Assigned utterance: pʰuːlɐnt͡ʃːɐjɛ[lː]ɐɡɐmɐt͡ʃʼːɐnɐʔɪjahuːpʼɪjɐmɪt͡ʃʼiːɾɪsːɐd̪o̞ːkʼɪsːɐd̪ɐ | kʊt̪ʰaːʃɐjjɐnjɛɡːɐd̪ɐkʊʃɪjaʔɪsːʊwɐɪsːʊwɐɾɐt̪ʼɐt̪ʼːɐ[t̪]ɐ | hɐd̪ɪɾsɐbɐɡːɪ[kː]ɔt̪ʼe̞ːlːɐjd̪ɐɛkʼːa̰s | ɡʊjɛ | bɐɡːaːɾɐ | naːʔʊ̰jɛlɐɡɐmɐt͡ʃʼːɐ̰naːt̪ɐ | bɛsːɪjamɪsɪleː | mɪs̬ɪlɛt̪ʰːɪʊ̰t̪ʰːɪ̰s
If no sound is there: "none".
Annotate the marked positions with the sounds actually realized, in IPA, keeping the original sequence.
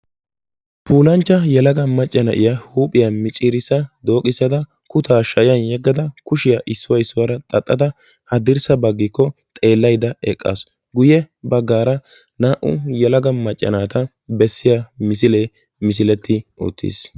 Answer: l, d̪, kː

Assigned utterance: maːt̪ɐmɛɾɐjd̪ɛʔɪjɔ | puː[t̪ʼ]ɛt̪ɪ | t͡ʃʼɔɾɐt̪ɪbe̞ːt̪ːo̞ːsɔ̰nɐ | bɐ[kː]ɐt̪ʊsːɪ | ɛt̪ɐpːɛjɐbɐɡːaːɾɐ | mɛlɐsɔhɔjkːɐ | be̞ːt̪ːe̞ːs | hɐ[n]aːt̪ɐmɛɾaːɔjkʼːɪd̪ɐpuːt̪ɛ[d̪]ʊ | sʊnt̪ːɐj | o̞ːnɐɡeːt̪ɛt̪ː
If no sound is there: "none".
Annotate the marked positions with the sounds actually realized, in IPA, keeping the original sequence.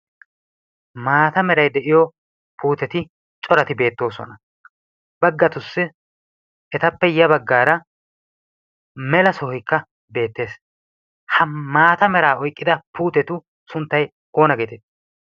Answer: t̪, ɡː, m, t̪

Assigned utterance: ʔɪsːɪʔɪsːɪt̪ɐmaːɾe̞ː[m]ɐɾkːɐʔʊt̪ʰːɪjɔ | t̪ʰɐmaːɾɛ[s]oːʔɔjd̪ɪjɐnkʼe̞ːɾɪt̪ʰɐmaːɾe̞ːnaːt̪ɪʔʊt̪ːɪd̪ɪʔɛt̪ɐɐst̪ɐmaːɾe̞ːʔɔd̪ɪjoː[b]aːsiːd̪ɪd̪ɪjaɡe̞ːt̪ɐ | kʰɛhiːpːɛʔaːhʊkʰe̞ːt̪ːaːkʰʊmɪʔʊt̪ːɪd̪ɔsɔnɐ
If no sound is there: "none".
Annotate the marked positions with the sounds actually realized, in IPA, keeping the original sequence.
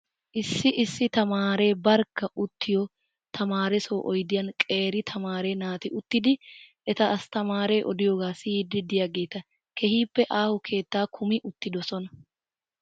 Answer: b, s, ɡ

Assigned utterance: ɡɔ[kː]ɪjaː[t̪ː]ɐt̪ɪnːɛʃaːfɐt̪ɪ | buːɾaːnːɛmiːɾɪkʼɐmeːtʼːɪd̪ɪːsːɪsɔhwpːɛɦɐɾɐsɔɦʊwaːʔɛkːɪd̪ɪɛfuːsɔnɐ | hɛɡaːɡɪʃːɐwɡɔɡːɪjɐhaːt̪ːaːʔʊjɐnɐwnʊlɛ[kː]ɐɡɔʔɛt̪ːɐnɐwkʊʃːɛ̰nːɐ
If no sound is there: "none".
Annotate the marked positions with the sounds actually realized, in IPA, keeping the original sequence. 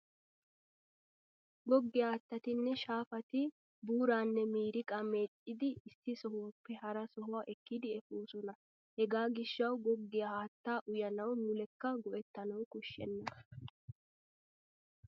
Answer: ɡː, t̪ː, kː

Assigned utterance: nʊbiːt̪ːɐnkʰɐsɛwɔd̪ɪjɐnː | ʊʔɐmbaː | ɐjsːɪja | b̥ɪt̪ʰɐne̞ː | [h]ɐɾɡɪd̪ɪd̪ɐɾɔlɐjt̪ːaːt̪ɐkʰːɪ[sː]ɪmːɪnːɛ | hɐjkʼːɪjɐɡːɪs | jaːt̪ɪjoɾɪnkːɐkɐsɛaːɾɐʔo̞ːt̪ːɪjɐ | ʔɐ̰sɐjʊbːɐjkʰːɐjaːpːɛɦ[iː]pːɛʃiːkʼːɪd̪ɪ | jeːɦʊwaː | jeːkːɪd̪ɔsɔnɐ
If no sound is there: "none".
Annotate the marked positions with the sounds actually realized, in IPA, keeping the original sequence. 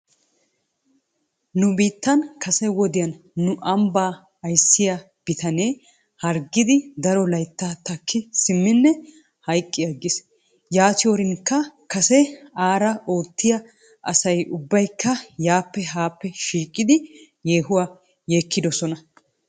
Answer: h, s, aː

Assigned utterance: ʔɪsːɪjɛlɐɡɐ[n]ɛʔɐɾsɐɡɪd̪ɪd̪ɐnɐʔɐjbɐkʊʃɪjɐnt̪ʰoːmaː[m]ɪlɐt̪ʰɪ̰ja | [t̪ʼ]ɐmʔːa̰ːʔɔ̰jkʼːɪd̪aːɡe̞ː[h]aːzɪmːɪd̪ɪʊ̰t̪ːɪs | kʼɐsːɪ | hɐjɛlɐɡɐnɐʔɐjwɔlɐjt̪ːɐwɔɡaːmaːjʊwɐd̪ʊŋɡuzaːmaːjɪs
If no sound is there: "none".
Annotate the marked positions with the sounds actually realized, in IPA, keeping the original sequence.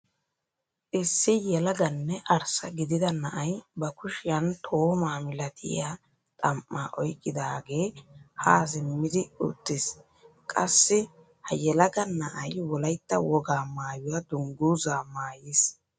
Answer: nː, m, t̪ʼ, h

